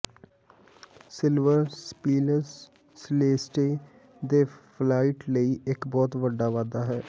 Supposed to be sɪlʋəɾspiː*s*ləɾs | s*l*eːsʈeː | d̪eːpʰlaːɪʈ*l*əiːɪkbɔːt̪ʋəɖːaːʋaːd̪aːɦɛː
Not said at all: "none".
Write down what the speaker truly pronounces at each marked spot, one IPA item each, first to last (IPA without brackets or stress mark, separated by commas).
none, l, l